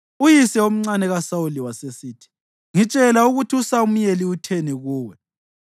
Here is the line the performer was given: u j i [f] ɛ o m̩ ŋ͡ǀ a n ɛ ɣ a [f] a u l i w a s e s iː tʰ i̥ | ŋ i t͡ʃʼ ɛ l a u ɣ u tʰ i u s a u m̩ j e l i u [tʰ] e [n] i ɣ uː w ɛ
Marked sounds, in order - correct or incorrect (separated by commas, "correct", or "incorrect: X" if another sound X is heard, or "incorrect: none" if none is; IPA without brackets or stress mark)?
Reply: incorrect: s, incorrect: s, correct, correct